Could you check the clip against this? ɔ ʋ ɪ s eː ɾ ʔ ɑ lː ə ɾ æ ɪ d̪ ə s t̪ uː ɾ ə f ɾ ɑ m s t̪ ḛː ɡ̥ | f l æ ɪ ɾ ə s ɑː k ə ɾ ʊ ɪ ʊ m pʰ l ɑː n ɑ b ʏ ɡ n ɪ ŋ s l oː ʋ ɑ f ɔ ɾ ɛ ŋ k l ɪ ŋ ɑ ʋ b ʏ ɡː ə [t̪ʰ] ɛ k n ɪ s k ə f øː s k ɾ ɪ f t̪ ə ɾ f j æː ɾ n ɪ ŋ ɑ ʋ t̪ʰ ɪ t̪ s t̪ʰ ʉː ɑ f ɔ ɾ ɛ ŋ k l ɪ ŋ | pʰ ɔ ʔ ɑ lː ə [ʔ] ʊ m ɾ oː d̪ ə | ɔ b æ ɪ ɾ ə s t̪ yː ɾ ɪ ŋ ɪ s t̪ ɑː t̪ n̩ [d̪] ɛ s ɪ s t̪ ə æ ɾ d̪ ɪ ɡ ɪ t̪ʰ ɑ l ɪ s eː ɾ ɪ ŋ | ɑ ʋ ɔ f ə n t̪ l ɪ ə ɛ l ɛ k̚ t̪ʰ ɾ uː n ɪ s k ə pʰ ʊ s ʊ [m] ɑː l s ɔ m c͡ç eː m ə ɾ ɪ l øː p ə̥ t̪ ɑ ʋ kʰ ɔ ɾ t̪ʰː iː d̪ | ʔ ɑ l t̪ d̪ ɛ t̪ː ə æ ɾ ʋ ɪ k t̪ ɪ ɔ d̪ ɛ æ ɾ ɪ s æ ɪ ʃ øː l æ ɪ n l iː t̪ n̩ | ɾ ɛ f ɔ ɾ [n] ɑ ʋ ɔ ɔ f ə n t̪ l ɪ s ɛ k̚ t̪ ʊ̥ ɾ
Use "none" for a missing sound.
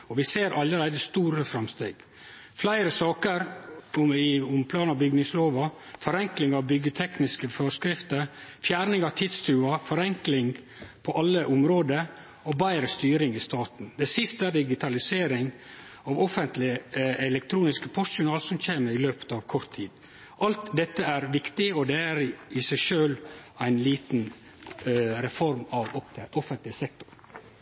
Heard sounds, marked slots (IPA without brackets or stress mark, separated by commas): t̪ʰ, ʔ, d̪, n, m